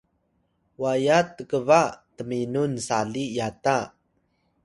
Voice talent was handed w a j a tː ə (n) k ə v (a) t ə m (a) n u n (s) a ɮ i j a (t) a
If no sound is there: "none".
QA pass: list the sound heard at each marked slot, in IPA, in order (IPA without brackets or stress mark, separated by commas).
none, a, i, s, t